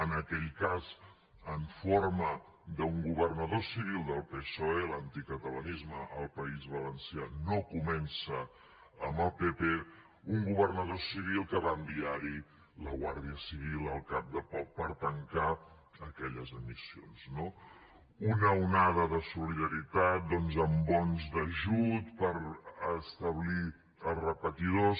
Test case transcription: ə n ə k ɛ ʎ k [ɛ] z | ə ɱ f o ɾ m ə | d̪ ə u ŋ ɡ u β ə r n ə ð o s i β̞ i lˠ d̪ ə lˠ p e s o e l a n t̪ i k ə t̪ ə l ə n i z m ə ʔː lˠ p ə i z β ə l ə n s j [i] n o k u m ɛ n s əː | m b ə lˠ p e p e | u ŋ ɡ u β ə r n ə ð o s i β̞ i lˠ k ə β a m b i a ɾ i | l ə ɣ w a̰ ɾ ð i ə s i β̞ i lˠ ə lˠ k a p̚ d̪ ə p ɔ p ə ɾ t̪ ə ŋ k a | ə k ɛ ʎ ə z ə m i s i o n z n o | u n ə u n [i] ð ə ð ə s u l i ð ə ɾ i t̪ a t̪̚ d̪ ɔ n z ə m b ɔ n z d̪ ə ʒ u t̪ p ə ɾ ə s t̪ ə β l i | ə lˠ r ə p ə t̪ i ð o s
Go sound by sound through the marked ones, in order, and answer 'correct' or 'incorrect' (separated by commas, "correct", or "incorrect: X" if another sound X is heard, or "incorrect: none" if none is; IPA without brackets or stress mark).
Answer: incorrect: a, incorrect: a, incorrect: a